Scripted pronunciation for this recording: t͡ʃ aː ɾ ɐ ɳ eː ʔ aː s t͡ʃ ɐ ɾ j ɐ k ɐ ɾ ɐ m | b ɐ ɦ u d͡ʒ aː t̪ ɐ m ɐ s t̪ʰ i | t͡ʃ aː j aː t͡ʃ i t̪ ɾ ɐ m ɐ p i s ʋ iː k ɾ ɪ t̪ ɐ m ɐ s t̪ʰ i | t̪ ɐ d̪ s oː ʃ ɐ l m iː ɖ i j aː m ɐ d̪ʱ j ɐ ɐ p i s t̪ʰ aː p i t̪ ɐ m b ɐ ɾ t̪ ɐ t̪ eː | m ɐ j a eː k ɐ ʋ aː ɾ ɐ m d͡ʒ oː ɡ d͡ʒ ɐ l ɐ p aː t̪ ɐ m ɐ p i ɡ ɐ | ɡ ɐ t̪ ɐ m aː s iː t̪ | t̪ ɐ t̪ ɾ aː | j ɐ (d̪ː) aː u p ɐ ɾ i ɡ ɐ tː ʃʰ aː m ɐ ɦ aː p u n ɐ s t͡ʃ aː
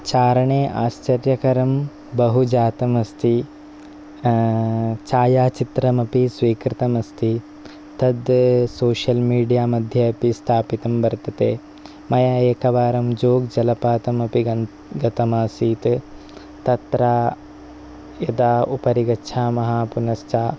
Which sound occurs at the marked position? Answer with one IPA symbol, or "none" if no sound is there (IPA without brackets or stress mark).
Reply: d̪